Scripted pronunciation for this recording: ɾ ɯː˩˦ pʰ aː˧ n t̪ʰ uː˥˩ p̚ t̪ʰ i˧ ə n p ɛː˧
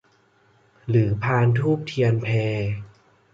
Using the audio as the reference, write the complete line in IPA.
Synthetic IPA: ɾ ɯː˩˦ pʰ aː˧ n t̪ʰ uː˥˩ p̚ t̪ʰ i˧ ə n pʰ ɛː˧